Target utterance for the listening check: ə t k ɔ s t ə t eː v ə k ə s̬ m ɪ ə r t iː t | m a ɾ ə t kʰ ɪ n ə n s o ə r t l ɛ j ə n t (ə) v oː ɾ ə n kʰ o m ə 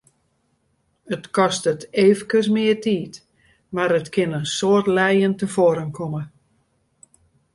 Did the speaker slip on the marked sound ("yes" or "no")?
no